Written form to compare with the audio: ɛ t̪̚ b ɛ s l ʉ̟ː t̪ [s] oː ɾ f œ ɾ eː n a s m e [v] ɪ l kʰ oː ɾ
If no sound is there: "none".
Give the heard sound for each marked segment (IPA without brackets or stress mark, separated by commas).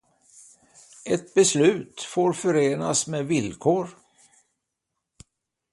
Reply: f, v